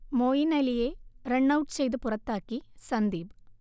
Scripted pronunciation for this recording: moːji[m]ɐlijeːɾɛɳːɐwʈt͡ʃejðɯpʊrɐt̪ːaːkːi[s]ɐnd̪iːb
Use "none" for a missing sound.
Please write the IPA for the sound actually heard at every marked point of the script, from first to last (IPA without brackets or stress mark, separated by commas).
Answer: n, s